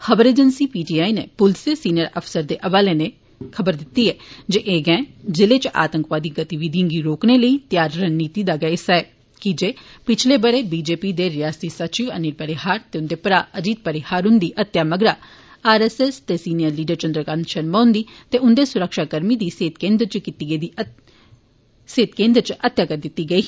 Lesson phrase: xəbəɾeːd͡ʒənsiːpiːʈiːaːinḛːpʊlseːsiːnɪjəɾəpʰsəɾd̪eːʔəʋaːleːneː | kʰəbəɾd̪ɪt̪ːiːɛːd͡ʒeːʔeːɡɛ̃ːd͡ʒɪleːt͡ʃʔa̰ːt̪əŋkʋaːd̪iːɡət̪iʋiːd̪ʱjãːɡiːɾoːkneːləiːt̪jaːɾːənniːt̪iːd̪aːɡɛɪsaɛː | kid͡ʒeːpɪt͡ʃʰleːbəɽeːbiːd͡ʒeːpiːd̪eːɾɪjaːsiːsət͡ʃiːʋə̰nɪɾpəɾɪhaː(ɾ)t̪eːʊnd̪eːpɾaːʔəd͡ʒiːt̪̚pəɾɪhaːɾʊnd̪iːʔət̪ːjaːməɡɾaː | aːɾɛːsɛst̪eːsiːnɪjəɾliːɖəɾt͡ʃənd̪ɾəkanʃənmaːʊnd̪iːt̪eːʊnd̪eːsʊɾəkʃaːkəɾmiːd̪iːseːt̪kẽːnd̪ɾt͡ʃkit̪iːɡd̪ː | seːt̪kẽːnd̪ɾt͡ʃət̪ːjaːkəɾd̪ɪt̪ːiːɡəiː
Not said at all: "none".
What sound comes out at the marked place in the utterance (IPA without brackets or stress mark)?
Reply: ɾ